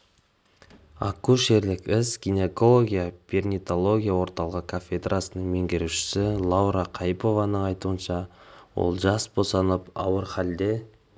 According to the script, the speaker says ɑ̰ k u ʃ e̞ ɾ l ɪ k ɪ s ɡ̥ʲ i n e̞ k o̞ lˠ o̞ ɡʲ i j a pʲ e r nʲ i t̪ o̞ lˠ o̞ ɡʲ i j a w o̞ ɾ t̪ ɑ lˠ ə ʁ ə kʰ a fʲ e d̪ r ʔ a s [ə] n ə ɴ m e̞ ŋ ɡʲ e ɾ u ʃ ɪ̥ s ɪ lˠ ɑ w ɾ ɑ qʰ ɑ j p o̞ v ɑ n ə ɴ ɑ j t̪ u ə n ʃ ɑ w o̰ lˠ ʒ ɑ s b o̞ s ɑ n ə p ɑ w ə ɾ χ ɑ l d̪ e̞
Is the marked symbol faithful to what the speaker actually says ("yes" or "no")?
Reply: yes